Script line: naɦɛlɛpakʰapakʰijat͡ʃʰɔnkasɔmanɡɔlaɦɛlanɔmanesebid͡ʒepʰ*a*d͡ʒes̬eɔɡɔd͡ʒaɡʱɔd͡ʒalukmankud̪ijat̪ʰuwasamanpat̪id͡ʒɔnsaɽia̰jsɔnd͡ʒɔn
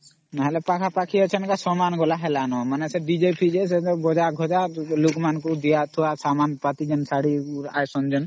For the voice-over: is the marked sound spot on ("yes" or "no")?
no